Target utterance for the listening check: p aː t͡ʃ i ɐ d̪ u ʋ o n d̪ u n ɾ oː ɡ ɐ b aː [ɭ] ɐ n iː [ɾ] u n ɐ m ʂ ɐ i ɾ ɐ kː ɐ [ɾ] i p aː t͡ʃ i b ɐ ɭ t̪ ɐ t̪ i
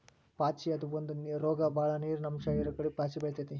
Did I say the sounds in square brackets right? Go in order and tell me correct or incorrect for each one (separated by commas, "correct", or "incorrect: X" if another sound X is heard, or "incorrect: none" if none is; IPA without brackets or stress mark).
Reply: correct, correct, incorrect: ɽ